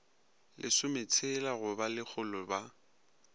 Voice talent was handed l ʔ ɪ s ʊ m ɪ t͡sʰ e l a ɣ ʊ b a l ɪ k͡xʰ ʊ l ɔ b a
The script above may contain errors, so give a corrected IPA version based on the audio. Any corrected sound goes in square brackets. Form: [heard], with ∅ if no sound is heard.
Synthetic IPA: l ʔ ɪ s ʊ m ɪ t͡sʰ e l a ɣ ʊ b a l ɪ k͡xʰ ʊ l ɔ b a